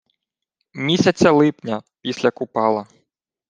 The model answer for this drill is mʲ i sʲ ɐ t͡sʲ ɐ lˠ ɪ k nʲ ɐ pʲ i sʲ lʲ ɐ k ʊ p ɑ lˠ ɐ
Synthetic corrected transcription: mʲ i sʲ ɐ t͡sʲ ɐ lˠ ɪ p nʲ ɐ pʲ i sʲ lʲ ɐ k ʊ p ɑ lˠ ɐ